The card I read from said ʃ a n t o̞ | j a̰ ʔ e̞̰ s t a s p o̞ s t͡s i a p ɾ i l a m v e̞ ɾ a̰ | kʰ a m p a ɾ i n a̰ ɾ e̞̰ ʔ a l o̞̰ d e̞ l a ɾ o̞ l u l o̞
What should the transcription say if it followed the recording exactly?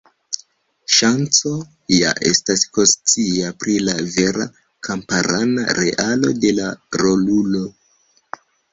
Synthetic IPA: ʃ a n t͡s o̞ | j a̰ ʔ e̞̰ s t a s k o̞ s t͡s i a p ɾ i l a v e̞ ɾ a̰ | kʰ a m p a ɾ a n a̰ ɾ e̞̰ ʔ a l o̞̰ d e̞ l a ɾ o̞ l u l o̞

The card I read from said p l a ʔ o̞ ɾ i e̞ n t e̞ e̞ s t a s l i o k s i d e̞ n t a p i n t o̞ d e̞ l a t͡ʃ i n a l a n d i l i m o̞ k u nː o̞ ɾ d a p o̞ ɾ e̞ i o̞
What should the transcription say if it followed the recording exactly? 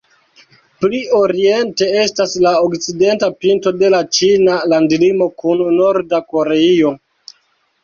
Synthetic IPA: p l i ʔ o̞ ɾ i e̞ n t e̞ e̞ s t a s l a o k t͡s i d e̞ n t a p i n t o̞ d e̞ l a t͡ʃ i n a l a n d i l i m o̞ k u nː o̞ ɾ d a k o̞ ɾ e̞ i o̞

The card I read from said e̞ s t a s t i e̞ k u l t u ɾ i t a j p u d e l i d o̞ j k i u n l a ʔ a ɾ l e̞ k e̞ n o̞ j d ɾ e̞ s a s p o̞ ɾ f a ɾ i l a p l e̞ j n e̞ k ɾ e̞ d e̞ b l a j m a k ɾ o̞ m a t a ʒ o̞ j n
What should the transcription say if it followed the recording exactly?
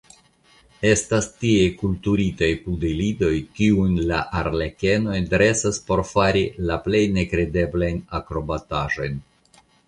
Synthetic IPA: e̞ s t a s t i e̞ k u l t u ɾ i t a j p u d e l i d o̞ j k i u n l a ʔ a ɾ l e̞ k e̞ n o̞ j d ɾ e̞ s a s p o̞ ɾ f a ɾ i l a p l e̞ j n e̞ k ɾ e̞ d e̞ b l a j n a k ɾ o̞ b a t a ʒ o̞ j n

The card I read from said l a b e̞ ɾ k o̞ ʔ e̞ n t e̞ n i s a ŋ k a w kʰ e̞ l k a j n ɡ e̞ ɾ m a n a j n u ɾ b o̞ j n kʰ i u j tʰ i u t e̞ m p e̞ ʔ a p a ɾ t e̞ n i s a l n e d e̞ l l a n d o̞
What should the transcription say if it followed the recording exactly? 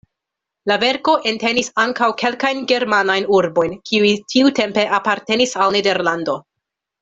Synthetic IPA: l a v e̞ ɾ k o̞ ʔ e̞ n t e̞ n i s a ŋ k a w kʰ e̞ l k a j n ɡ e̞ ɾ m a n a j n u ɾ b o̞ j n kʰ i u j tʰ i u t e̞ m p e̞ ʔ a p a ɾ t e̞ n i s a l n e d e̞ ɾ l a n d o̞

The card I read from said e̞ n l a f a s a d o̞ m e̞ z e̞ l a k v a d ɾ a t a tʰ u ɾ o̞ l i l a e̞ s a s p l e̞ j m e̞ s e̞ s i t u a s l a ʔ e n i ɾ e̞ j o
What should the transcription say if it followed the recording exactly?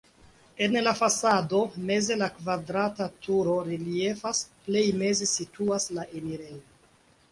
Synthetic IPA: e̞ n l a f a s a d o̞ m e̞ z e̞ l a k v a d ɾ a t a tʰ u ɾ o̞ ɾ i l i e̞ f a s p l e̞ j m e̞ z e̞ s i t u a s l a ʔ e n i ɾ e̞ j o

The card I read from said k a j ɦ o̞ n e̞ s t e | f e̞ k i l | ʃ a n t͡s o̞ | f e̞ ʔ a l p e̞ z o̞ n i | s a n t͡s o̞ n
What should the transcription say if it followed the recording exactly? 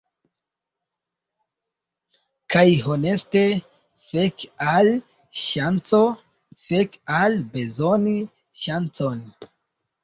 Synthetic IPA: k a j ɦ o̞ n e̞ s t e | f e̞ k a l | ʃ a n t͡s o̞ | f e̞ k a l b e̞ z o̞ n i | ʃ a n t͡s o̞ n

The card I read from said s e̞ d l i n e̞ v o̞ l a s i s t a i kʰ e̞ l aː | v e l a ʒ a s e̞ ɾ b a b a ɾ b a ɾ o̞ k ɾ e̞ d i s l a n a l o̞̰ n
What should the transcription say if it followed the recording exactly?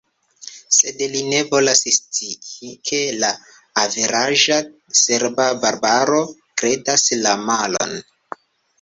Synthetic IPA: s e̞ d l i n e̞ v o̞ l a s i s t i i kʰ e̞ l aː | v e ɾ a ʒ a s e̞ ɾ b a b a ɾ b a ɾ o̞ k ɾ e̞ d a s l a m a l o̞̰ n

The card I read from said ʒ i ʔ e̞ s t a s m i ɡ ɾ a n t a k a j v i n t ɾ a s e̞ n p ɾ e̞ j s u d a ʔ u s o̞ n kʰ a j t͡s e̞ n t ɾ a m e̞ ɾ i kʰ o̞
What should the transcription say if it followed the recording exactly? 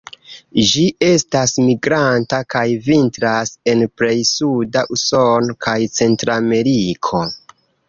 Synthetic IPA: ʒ i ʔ e̞ s t a s m i ɡ ɾ a n t a k a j v i n t ɾ a s e̞ n p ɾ e̞ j s u d a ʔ u s o̞ n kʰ a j t͡s e̞ n t ɾ a m e̞ ɾ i kʰ o̞

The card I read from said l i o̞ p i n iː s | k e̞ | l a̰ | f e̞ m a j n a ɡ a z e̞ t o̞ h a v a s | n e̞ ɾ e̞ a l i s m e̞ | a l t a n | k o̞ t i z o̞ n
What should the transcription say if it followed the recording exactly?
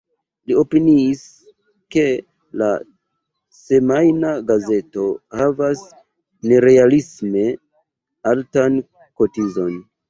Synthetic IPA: l i o̞ p i n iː s | k e̞ | l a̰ | s e̞ m a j n a ɡ a z e̞ t o̞ h a v a s | n e̞ ɾ e̞ a l i s m e̞ | a l t a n | k o̞ t i z o̞ n

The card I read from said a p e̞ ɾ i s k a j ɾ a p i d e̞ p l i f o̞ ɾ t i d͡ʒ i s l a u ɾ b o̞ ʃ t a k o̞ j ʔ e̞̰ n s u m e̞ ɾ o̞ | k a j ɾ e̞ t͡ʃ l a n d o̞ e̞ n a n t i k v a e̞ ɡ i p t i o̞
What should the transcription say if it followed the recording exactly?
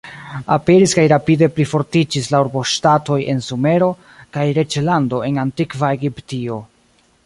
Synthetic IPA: a p e̞ ɾ i s k a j ɾ a p i d e̞ p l i f o̞ ɾ t i d͡ʒ i s l a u ɾ b o̞ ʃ t a t o̞ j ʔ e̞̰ n s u m e̞ ɾ o̞ | k a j ɾ e̞ t͡ʃ l a n d o̞ e̞ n a n t i k v a e̞ ɡ i p t i o̞

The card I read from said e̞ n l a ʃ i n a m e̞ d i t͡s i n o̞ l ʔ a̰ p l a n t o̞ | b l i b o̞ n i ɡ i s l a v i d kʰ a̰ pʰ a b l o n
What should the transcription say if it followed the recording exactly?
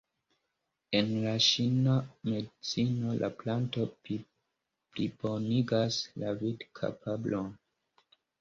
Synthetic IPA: e̞ n l a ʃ i n a m e̞ d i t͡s i n o̞ l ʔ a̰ p l a n t o̞ | p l i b o̞ n i ɡ a s l a v i d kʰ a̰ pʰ a b l o n

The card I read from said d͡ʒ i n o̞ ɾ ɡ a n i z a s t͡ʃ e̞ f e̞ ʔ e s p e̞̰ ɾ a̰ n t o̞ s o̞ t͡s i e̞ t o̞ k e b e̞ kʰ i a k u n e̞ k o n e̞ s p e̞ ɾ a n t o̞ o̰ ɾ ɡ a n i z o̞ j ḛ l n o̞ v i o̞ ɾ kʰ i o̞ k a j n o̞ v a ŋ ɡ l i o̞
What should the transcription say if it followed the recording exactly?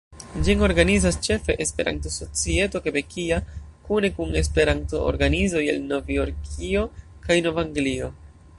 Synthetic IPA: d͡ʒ i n o̞ ɾ ɡ a n i z a s t͡ʃ e̞ f e̞ ʔ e s p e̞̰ ɾ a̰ n t o̞ s o̞ t͡s i e̞ t o̞ k e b e̞ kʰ i a k u n e̞ k u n e̞ s p e̞ ɾ a n t o̞ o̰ ɾ ɡ a n i z o̞ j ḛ l n o̞ v i o̞ ɾ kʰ i o̞ k a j n o̞ v a ŋ ɡ l i o̞

